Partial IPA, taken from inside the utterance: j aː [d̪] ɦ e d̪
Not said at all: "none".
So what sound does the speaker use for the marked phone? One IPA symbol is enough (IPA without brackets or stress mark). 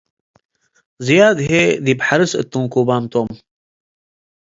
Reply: d̪